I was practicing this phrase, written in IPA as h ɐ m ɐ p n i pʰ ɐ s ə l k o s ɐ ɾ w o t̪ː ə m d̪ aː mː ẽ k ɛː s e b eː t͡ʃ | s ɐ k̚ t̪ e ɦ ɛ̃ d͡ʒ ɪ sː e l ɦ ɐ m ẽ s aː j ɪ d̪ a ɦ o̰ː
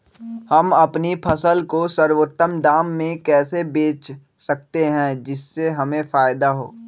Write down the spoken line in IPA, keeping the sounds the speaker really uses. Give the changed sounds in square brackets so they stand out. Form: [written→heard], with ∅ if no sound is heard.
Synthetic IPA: h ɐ m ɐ p n i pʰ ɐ s ə l k o s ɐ ɾ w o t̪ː ə m d̪ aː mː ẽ k ɛː s e b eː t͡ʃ | s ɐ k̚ t̪ e ɦ ɛ̃ d͡ʒ ɪ sː e [l→∅] ɦ ɐ m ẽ [s→f] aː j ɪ d̪ a ɦ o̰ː